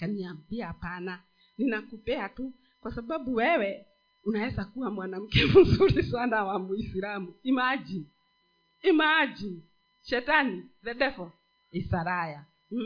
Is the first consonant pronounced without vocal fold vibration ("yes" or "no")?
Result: yes